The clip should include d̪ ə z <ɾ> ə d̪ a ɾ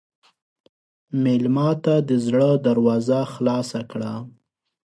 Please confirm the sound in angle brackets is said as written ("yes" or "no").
no